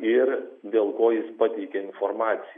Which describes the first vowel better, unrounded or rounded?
unrounded